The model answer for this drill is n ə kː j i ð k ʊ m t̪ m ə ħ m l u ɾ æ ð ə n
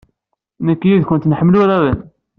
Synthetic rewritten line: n ə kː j i ð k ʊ n t̪ n ə ħ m l u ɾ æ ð ə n